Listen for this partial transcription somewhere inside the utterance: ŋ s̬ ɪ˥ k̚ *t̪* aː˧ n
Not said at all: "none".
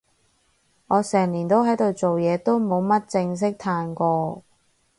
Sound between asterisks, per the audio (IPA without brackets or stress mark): t̪ʰ